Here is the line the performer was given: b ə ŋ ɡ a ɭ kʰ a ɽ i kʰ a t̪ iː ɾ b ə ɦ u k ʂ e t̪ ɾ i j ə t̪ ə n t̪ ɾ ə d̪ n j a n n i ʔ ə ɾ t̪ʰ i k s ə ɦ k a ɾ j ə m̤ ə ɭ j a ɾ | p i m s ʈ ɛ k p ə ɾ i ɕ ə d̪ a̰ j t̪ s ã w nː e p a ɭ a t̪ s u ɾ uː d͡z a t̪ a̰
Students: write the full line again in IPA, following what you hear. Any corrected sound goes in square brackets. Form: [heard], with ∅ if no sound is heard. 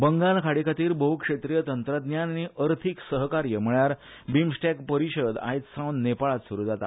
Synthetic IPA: b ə ŋ ɡ a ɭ kʰ a ɽ i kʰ a t̪ iː ɾ b ə ɦ u k ʂ e t̪ ɾ i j ə t̪ ə n t̪ ɾ ə d̪ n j a n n i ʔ ə ɾ t̪ʰ i k s ə ɦ k a ɾ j ə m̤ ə ɭ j a ɾ | [b] i m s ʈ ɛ k p ə ɾ i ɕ ə d̪ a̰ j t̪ s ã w nː e p a ɭ a t̪ s u ɾ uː d͡z a t̪ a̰